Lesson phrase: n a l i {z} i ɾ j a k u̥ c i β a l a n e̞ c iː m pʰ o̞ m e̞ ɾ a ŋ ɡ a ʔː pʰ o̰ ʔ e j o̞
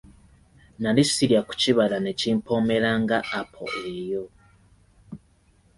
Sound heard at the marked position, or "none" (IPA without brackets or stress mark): s